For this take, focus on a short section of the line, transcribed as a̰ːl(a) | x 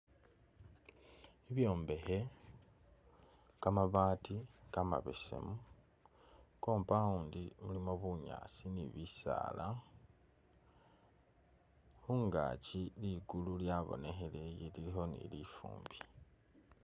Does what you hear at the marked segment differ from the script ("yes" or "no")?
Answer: no